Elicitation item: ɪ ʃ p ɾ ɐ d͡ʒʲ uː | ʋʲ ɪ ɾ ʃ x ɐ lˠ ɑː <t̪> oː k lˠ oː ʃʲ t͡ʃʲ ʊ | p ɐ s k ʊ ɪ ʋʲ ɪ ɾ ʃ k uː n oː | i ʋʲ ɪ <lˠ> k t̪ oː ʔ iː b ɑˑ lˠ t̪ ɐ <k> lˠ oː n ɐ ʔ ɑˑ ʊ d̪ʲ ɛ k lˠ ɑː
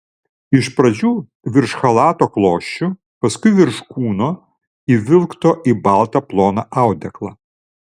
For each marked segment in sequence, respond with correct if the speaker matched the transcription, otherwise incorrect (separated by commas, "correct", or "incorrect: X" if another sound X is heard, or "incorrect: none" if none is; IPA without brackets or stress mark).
correct, correct, incorrect: p